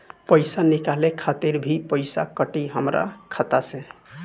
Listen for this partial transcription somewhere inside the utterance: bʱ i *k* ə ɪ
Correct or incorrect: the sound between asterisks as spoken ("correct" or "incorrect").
incorrect